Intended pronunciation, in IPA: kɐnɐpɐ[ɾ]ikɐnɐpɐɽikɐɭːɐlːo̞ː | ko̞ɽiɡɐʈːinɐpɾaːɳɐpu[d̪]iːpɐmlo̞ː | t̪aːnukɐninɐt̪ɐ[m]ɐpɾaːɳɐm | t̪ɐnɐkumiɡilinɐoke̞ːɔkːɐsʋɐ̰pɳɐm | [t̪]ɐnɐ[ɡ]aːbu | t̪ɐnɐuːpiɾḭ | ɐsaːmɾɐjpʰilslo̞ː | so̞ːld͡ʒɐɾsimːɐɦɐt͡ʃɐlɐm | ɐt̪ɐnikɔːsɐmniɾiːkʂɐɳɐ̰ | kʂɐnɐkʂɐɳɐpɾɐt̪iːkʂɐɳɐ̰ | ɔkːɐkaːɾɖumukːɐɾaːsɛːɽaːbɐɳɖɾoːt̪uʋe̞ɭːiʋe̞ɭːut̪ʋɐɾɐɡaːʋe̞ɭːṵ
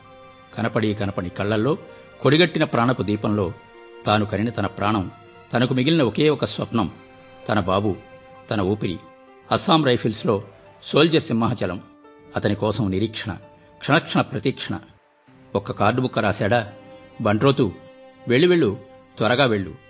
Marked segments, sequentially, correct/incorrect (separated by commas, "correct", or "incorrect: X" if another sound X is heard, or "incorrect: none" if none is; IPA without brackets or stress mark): incorrect: ɽ, correct, incorrect: n, correct, incorrect: b